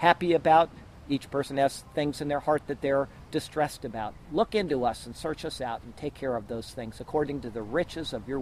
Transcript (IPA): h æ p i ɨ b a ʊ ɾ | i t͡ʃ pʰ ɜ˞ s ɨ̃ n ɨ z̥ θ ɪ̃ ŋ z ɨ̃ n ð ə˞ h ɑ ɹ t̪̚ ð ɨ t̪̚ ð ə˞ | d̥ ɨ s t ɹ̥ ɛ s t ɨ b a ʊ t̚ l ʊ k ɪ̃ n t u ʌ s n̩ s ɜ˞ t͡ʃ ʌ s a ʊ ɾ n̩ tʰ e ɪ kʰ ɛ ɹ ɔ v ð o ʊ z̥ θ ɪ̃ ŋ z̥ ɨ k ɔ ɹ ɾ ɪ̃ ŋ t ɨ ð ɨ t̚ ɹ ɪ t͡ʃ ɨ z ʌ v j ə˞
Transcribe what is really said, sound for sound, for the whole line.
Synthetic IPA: h æ p i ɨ b a ʊ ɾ | i t͡ʃ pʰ ɜ˞ s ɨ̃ n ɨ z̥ θ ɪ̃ ŋ z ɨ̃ n ð ə˞ h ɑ ɹ t̪̚ ð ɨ t̪̚ ð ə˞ | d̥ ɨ s t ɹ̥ ɛ s t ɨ b a ʊ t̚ l ʊ k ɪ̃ n t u ʌ s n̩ s ɜ˞ t͡ʃ ʌ s a ʊ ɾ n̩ tʰ e ɪ kʰ ɛ ɹ ʌ v ð o ʊ z̥ θ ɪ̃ ŋ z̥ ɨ kʰ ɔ ɹ ɾ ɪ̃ ŋ t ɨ ð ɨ ɹ ɪ t͡ʃ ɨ z ʌ v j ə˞